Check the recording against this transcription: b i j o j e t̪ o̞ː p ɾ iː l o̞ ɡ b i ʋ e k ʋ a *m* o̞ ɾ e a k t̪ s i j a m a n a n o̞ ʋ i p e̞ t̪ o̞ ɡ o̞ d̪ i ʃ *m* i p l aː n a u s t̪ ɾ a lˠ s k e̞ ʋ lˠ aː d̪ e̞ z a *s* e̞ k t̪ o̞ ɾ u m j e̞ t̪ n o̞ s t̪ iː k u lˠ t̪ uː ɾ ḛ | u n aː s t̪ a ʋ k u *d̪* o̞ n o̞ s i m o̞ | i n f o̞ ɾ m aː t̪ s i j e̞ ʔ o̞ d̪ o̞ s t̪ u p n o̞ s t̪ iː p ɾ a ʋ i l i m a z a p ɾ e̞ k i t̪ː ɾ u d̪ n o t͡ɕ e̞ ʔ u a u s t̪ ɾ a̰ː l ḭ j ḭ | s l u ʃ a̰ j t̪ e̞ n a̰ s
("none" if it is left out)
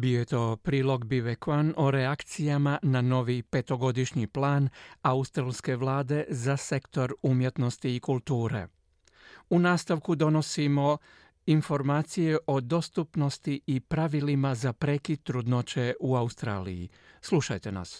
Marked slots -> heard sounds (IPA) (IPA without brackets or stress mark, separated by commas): n, ɲ, s, d̪